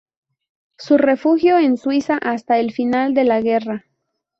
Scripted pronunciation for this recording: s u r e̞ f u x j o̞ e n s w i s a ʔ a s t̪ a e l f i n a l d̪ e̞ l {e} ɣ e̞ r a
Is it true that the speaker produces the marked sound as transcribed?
no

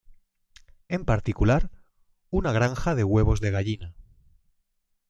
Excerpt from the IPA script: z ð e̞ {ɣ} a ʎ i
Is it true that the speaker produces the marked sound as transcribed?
yes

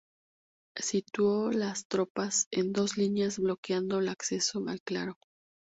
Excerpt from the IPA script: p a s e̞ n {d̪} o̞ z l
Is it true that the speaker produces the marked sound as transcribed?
yes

